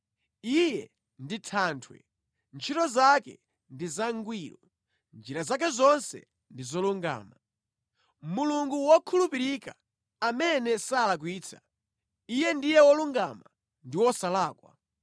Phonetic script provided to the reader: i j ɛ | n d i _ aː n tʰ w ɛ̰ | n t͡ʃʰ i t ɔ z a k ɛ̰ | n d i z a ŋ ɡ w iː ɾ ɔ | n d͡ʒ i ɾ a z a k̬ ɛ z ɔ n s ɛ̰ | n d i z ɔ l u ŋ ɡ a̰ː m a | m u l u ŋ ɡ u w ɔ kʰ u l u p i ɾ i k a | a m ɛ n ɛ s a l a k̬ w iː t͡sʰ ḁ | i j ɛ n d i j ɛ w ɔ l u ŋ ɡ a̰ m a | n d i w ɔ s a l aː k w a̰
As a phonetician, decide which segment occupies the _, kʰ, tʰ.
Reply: tʰ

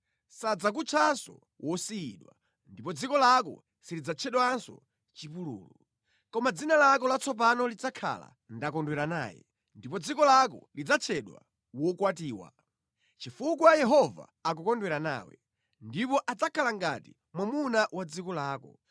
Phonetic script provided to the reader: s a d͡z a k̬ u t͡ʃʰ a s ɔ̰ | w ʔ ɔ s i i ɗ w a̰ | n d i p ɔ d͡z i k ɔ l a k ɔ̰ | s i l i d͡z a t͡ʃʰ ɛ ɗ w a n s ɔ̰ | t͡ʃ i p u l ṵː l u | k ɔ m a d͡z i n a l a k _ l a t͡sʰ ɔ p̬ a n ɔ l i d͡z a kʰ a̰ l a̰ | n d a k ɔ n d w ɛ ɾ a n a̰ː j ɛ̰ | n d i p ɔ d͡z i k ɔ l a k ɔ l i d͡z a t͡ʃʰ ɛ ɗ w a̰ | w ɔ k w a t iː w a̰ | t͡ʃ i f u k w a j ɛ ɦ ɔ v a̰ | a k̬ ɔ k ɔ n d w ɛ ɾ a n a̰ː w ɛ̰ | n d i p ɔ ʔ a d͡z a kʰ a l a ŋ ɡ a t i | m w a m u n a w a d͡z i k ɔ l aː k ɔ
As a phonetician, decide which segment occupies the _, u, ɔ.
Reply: ɔ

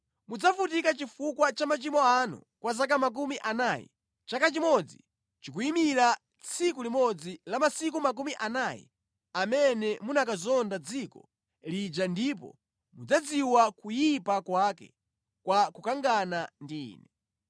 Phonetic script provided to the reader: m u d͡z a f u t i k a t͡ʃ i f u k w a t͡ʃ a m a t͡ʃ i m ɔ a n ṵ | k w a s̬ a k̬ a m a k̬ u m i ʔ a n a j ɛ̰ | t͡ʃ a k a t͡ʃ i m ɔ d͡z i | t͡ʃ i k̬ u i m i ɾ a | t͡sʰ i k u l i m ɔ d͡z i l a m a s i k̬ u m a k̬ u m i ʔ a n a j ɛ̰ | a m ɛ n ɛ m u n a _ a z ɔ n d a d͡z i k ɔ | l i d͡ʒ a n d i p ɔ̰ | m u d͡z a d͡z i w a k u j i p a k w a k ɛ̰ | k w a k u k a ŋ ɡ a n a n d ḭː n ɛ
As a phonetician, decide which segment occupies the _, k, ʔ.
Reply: k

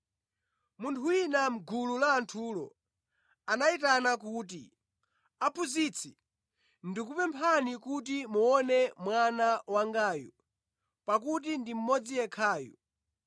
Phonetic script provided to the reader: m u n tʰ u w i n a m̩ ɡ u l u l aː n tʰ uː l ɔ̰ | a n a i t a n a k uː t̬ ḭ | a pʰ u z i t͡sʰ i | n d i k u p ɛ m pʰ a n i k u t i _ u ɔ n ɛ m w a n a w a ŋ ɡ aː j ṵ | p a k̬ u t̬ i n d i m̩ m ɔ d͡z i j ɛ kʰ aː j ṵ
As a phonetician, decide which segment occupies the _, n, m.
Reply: m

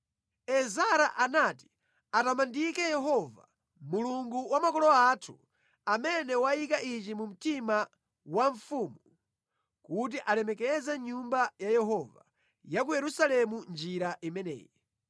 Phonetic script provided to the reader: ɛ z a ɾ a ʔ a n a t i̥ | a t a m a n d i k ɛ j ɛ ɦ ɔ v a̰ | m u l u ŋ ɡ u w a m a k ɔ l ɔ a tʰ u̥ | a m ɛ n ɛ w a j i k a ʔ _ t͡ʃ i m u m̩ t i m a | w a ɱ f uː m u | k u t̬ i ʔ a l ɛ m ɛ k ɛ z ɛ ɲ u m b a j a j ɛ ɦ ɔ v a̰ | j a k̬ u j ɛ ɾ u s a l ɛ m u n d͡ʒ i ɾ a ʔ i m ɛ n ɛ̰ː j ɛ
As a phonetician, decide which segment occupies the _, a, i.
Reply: i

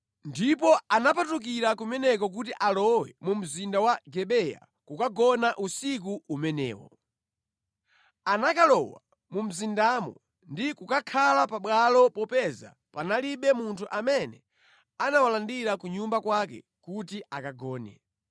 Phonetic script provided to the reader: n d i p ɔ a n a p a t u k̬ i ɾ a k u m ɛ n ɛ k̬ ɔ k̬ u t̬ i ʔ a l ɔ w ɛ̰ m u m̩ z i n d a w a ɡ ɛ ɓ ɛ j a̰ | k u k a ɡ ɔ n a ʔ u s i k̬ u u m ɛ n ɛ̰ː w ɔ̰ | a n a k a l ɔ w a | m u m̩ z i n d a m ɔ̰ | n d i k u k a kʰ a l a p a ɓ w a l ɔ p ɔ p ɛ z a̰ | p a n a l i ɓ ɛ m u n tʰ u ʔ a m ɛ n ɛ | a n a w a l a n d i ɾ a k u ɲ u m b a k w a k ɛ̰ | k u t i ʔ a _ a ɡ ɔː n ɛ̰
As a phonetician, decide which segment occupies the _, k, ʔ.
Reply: k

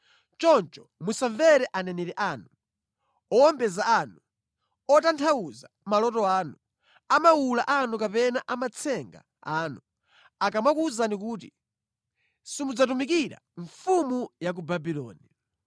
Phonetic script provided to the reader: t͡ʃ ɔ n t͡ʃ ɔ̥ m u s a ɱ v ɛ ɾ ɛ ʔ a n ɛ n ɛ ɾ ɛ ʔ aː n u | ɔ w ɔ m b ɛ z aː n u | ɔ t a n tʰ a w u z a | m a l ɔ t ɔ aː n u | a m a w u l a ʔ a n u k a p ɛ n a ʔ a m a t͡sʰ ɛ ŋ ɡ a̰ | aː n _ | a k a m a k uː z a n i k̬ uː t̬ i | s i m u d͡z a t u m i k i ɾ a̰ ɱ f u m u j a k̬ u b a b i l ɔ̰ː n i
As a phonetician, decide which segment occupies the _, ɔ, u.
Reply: u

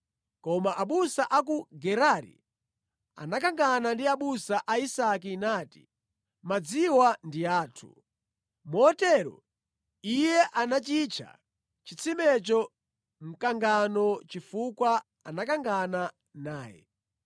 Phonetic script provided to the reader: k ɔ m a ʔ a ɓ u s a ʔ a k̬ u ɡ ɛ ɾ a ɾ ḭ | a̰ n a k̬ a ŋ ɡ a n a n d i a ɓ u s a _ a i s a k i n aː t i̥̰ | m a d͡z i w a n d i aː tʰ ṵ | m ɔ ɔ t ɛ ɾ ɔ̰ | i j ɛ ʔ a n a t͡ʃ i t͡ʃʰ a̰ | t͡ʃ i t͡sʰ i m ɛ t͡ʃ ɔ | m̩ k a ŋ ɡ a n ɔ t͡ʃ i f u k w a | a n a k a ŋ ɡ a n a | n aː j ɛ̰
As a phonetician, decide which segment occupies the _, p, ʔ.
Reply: ʔ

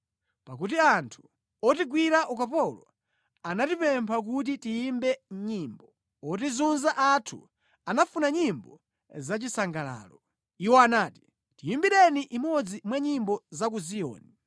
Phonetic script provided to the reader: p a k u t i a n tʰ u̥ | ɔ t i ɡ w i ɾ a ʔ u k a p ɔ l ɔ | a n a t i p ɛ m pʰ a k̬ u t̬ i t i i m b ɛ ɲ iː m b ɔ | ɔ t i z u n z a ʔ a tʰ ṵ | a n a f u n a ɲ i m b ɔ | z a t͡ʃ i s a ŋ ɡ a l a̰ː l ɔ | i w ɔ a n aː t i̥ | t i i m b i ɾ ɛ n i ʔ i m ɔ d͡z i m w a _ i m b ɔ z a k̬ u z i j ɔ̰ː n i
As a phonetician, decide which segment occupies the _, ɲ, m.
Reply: ɲ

